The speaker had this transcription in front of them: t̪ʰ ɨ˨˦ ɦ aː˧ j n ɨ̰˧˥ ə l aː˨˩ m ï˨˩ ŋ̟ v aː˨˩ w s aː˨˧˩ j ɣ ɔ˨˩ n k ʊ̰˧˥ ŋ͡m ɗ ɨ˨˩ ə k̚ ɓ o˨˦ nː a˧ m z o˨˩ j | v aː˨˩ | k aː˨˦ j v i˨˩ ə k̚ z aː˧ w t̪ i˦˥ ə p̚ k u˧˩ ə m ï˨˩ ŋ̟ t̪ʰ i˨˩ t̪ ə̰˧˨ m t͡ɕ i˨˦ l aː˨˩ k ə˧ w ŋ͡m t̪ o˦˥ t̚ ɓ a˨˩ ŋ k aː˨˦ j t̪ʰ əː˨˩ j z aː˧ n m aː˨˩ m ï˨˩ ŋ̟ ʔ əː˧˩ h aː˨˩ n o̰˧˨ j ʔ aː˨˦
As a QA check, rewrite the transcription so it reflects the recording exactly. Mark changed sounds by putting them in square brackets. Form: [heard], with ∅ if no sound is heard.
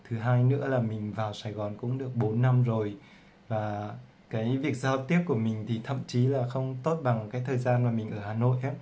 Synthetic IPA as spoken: t̪ʰ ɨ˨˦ ɦ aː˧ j n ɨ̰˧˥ ə l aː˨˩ m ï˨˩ ŋ̟ v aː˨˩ w s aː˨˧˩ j ɣ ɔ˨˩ n k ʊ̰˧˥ ŋ͡m ɗ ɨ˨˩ ə k̚ ɓ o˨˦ nː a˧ m z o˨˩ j | v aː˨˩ | k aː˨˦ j v i˨˩ ə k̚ z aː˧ w t̪ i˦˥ ə p̚ k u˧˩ ə m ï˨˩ ŋ̟ t̪ʰ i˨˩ [t̪ʰ] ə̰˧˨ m t͡ɕ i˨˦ l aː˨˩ [x] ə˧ w ŋ͡m t̪ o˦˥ t̚ ɓ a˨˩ ŋ k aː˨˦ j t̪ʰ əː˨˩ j z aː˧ n m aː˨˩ m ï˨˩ ŋ̟ ʔ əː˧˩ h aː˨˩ n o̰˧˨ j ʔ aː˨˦

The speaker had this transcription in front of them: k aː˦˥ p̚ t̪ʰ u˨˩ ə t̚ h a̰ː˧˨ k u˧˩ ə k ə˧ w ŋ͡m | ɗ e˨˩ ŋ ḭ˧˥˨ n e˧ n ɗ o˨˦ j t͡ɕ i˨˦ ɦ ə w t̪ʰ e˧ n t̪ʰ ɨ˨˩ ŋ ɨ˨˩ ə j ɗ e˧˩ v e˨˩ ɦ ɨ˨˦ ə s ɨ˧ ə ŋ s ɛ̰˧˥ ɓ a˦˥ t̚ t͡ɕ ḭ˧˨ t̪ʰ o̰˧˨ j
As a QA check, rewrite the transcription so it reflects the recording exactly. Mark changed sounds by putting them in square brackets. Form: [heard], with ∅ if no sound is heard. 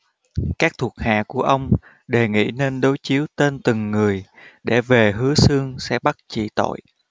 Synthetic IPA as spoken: k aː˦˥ [k̚] t̪ʰ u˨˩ ə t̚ h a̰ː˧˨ k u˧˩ ə [ʔ] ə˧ w ŋ͡m | ɗ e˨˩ ŋ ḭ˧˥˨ n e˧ n ɗ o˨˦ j t͡ɕ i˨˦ [∅] ə w [t̪] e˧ n [t̪] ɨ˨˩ [ŋː] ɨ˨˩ ə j ɗ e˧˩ v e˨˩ ɦ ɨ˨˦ ə s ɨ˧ ə ŋ s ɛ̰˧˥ ɓ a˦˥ t̚ t͡ɕ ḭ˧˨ [t̪] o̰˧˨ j

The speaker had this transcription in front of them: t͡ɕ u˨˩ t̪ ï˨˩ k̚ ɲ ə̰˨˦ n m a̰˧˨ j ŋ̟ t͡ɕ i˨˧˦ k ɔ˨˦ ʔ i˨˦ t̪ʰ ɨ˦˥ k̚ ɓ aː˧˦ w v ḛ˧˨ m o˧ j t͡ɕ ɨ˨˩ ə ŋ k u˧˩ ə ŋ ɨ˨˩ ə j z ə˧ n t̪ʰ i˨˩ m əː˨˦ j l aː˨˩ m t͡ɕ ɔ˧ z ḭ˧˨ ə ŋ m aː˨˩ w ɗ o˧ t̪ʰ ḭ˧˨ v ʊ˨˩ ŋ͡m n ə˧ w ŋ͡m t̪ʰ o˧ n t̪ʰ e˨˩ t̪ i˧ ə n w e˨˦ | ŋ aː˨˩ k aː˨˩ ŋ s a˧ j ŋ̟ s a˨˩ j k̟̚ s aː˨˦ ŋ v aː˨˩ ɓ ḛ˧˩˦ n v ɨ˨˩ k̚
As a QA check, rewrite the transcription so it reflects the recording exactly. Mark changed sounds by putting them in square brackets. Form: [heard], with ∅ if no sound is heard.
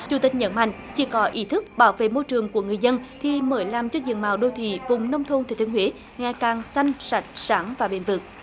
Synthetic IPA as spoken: t͡ɕ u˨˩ t̪ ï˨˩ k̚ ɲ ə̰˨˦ n m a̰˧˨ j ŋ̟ t͡ɕ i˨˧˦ k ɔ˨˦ ʔ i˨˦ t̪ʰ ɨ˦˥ k̚ ɓ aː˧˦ w v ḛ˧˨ m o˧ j t͡ɕ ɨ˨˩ ə ŋ k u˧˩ ə ŋ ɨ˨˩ ə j z ə˧ n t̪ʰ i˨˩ m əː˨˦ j l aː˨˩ m t͡ɕ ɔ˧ z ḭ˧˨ ə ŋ m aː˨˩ w ɗ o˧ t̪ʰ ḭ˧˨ v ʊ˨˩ ŋ͡m n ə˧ w ŋ͡m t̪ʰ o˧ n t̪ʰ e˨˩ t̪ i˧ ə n w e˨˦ | ŋ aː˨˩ k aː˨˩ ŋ s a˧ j ŋ̟ s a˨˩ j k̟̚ s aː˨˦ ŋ v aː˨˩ ɓ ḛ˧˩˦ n v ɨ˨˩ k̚

